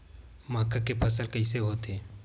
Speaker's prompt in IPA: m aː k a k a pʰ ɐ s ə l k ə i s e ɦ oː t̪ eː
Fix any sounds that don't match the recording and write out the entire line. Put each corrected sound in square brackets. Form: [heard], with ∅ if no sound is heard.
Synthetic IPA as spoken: m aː k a k [e] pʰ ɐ s ə l k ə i s e ɦ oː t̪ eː